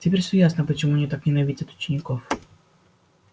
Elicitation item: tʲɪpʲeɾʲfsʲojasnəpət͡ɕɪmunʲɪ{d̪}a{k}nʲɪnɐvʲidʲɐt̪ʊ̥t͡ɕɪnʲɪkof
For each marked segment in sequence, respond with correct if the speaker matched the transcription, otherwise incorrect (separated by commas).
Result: incorrect, correct